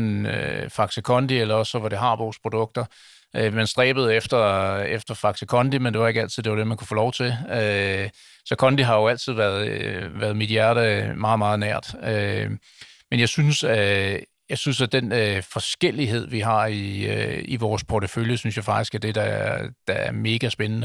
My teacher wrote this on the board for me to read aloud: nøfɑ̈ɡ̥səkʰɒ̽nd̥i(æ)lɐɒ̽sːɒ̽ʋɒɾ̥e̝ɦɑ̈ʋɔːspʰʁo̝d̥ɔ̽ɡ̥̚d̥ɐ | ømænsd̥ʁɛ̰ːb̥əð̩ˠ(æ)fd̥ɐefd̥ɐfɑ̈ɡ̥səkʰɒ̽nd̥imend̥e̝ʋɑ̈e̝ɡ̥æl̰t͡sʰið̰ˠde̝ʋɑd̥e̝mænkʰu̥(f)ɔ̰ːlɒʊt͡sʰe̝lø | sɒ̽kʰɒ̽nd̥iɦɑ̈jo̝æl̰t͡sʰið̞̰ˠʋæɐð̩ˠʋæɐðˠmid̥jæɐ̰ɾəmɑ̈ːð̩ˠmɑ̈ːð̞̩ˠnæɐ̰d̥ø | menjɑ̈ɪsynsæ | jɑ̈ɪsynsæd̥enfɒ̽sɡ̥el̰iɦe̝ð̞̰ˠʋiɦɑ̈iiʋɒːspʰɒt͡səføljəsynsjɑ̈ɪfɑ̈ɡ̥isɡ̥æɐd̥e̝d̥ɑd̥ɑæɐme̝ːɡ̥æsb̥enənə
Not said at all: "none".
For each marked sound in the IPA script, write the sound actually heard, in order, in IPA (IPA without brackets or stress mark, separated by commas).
e, e, f